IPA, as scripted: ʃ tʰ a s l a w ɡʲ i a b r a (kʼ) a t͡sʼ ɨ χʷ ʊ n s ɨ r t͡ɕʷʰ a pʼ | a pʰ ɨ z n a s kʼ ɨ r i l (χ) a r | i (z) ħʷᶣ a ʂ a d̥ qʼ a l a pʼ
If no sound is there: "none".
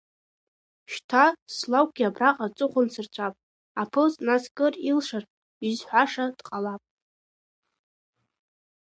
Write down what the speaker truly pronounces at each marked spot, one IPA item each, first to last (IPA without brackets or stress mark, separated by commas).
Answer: qʼ, ʂ, z